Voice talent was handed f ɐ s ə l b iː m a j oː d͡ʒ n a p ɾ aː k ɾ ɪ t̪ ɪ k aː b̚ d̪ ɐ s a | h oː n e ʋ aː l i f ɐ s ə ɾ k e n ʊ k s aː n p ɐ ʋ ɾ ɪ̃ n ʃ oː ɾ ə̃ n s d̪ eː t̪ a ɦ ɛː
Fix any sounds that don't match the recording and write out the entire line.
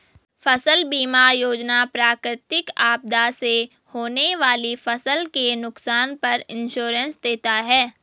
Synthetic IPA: f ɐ s ə l b iː m a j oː d͡ʒ n a p ɾ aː k ɾ ɪ t̪ ɪ k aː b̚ d̪ a s e | h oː n e ʋ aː l i f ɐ s ə l k e n ʊ k s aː n p ɐ ɾ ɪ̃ n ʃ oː ɾ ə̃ n s d̪ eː t̪ a ɦ ɛː